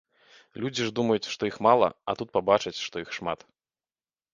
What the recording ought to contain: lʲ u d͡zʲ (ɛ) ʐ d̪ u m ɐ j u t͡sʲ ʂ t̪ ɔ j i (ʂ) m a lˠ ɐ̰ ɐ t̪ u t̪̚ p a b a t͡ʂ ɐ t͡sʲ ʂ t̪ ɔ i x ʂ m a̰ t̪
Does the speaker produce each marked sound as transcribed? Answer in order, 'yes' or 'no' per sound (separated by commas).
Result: no, no